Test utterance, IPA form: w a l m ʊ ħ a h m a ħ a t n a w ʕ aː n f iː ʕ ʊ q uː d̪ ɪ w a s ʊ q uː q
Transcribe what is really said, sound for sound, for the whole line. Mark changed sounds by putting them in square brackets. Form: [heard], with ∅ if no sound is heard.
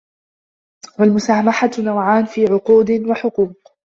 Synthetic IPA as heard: w a l m ʊ [s] a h m a ħ a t n a w ʕ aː n f iː ʕ ʊ q uː d̪ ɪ w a [ħ] ʊ q uː q